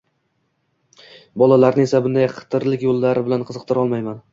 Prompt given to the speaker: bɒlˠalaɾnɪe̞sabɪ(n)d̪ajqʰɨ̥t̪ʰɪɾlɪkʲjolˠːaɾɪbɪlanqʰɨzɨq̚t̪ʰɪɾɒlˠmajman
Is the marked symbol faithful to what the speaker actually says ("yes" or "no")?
yes